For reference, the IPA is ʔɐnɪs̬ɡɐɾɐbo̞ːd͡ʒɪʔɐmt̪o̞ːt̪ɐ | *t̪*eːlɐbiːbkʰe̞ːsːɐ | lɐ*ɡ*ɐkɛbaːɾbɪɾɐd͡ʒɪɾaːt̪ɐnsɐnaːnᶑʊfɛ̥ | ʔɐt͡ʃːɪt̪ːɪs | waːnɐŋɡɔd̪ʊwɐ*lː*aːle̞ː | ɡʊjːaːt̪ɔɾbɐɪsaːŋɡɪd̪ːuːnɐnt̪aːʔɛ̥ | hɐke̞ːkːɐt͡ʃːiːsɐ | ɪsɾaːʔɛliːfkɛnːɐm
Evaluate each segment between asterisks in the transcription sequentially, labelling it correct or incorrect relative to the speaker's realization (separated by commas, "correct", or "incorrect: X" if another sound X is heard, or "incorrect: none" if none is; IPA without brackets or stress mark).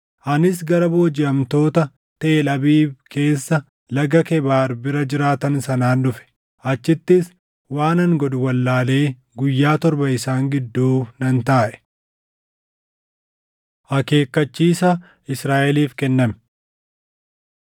correct, correct, correct